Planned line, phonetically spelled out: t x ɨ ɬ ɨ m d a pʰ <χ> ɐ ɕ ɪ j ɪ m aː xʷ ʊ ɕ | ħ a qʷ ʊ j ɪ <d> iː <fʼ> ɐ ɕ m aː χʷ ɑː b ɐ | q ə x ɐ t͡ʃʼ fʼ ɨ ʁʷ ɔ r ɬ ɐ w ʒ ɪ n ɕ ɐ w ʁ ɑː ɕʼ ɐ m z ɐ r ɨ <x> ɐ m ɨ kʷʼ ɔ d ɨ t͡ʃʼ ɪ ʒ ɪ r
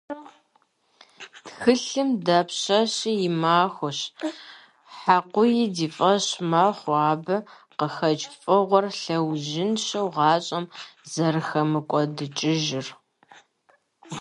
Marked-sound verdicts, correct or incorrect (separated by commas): incorrect, correct, correct, correct